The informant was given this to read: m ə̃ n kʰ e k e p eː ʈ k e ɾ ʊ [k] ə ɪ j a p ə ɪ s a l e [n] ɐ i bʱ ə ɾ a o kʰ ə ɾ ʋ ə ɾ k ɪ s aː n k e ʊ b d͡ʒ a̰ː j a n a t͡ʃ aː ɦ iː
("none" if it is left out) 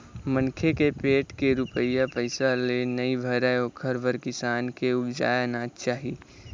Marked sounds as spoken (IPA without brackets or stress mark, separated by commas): p, n